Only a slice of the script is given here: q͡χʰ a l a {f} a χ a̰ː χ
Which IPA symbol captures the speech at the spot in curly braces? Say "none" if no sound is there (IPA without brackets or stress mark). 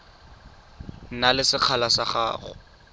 s